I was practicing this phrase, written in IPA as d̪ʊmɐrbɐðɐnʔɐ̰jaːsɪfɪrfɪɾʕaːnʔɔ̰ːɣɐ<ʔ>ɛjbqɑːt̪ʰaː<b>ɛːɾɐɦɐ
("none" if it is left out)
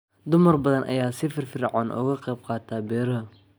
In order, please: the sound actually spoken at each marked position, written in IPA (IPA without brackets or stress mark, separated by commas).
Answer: q, b